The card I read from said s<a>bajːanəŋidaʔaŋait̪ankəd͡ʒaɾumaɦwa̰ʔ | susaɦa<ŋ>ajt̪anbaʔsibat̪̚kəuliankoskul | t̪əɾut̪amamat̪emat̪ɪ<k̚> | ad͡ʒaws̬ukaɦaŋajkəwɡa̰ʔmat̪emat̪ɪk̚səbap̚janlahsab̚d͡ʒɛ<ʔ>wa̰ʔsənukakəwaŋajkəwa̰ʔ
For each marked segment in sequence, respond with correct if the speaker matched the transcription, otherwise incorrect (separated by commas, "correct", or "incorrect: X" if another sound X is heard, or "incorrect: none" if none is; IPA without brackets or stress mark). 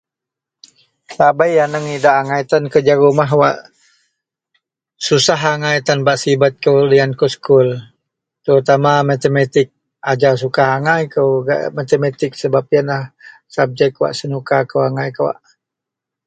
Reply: correct, correct, correct, incorrect: k